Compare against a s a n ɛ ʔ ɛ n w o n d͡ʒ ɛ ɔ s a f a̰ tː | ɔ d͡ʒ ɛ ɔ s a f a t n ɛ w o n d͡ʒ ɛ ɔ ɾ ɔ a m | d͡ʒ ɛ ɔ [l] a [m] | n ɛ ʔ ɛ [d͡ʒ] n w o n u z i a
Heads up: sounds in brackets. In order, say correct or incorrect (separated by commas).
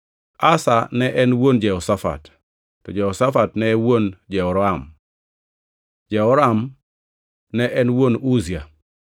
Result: incorrect, correct, incorrect